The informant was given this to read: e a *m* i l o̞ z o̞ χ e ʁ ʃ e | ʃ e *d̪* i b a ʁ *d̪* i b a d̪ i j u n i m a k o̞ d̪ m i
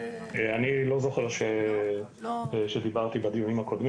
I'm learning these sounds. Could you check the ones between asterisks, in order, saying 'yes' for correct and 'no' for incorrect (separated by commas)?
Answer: no, yes, no